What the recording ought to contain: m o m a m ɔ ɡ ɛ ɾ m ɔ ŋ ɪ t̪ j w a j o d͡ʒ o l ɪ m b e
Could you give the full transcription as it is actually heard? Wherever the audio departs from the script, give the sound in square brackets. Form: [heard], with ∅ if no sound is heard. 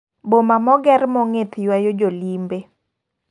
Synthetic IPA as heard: [b] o m a m ɔ ɡ ɛ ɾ m ɔ ŋ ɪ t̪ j w a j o d͡ʒ o l [i] m b e